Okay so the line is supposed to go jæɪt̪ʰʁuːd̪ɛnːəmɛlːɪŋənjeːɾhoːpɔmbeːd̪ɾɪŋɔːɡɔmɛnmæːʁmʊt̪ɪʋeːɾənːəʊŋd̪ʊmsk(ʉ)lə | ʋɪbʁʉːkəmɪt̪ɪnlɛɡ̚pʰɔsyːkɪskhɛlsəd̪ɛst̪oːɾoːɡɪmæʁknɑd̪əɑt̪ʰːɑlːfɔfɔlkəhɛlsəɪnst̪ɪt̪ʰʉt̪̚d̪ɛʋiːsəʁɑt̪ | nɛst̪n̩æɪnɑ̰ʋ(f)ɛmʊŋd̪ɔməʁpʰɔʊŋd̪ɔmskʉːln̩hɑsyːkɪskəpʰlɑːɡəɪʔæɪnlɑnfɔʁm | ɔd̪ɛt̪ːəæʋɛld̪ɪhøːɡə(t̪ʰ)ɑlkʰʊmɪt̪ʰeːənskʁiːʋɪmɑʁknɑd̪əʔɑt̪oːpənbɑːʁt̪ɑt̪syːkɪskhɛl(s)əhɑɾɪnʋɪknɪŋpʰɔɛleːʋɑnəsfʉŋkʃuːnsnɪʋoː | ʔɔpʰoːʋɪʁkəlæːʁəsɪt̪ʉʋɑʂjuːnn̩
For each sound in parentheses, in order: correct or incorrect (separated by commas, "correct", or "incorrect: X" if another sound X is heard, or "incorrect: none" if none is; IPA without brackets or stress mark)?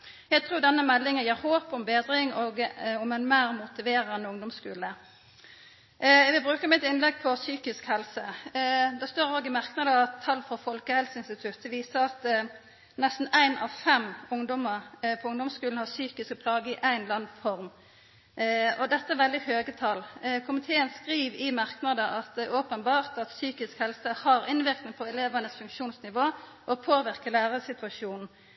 incorrect: ʉː, correct, correct, correct